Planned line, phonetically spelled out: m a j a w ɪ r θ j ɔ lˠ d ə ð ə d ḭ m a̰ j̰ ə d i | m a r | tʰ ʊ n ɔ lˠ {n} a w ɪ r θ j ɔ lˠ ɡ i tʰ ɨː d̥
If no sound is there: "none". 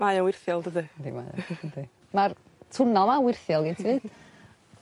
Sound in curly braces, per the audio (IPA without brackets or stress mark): m